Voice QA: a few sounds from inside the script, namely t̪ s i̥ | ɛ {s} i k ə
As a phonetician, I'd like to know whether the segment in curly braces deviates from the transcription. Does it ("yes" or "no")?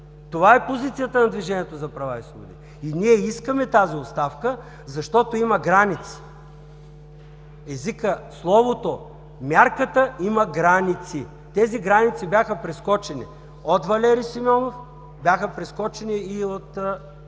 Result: yes